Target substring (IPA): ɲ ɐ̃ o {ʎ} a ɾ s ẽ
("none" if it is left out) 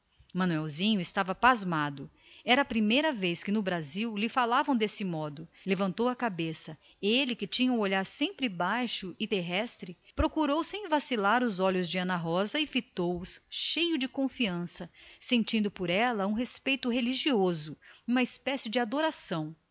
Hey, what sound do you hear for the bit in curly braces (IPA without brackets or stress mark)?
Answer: ʎ